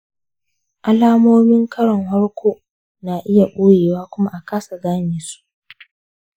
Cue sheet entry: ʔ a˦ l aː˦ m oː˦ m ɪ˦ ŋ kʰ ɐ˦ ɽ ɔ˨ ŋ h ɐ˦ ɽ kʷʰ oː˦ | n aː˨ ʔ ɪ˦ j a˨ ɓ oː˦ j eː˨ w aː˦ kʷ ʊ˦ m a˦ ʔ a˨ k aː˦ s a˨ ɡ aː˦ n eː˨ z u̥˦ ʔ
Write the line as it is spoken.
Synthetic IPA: ʔ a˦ l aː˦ m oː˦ m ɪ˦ ŋ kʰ ɐ˦ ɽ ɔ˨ ŋ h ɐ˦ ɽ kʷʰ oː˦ | n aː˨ ʔ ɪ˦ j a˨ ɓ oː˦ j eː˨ w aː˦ kʷ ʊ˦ m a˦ ʔ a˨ k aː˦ s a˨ ɡ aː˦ n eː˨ s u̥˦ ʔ

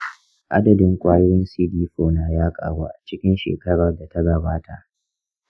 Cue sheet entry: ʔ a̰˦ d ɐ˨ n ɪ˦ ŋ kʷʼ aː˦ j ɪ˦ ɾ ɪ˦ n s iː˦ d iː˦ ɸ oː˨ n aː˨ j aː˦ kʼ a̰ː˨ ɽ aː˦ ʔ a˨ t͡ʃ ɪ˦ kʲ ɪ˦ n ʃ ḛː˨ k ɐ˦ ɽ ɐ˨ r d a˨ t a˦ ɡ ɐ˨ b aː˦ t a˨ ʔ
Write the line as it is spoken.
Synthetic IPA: ʔ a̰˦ d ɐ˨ d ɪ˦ ŋ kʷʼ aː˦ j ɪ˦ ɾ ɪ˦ n s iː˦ d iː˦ ɸ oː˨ n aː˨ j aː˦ kʼ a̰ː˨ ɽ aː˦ ʔ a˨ t͡ʃ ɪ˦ kʲ ɪ˦ n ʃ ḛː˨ k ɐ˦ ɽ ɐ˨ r d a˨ t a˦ ɡ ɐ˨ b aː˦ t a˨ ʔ

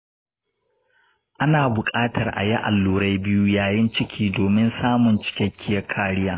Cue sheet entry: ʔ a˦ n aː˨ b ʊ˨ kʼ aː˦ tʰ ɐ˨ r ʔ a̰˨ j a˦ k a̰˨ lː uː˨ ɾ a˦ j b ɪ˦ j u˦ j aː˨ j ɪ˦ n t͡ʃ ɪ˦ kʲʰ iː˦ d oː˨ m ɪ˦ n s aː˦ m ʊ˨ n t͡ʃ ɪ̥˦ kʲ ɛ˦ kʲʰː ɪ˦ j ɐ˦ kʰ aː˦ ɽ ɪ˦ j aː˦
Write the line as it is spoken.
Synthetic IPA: ʔ a˦ n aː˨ b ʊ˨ kʼ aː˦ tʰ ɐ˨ r ʔ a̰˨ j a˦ ʔ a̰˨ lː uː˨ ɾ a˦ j b ɪ˦ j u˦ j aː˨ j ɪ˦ n t͡ʃ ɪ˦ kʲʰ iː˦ d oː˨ m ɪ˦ n s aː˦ m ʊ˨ n t͡ʃ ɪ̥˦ kʲ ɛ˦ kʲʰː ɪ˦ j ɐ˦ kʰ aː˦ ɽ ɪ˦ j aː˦

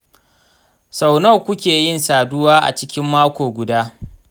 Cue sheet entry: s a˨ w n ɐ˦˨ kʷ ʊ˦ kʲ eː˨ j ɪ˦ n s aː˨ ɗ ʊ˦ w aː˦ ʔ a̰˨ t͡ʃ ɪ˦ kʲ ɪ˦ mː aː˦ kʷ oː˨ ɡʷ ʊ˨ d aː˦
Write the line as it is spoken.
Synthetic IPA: s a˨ w n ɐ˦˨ kʷ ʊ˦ kʲ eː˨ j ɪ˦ n s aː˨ d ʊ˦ w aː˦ ʔ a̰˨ t͡ʃ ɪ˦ kʲ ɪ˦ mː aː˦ kʷ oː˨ ɡʷ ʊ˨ d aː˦

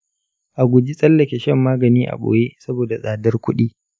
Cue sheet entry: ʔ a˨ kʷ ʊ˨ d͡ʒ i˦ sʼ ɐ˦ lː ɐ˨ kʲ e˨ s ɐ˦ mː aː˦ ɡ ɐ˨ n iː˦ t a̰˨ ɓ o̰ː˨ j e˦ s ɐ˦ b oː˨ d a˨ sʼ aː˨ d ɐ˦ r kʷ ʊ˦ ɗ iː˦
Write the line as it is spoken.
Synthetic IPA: ʔ a˨ ɡʷ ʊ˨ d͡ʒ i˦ sʼ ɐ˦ lː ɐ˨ kʲ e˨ ʃ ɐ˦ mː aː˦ ɡ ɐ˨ n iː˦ ʔ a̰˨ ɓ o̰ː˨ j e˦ s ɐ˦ b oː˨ d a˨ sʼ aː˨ d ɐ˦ r kʷ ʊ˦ ɗ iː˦

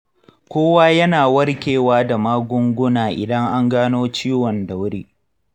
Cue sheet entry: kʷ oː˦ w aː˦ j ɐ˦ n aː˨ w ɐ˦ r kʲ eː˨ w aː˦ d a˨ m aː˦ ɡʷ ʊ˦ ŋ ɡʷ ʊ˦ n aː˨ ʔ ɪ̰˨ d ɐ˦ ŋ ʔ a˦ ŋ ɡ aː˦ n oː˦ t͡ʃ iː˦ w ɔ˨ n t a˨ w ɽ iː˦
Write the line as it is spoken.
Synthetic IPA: kʷ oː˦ w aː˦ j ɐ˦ n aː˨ w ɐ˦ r kʲ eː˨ w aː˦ d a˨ m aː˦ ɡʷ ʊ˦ ŋ ɡʷ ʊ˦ n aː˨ ʔ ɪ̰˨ d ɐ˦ ŋ ʔ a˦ ŋ ɡ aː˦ n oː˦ t͡ʃ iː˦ w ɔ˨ n d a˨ w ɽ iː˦

